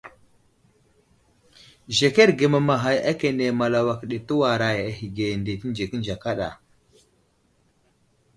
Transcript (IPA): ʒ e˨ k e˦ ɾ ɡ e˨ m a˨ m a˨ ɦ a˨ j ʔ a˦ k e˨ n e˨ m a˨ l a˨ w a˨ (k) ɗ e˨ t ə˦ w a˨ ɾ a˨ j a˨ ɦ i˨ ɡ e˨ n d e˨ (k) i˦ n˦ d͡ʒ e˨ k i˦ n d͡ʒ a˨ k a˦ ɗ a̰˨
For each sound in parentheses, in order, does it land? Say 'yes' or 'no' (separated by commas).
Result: yes, no